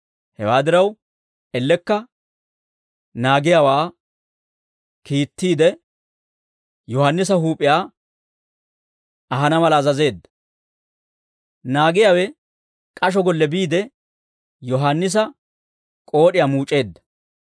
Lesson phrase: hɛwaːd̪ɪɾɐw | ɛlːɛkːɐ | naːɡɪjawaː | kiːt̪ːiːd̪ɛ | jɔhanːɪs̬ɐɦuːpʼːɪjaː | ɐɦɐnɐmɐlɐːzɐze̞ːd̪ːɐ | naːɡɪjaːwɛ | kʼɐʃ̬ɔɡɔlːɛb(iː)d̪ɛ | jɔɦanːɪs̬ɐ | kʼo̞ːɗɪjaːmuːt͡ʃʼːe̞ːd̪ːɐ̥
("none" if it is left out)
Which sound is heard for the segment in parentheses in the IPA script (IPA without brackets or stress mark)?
iː